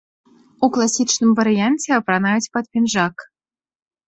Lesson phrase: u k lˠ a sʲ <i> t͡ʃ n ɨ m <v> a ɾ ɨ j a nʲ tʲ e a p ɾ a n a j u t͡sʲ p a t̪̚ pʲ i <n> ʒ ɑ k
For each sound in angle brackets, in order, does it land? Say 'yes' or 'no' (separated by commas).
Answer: yes, yes, yes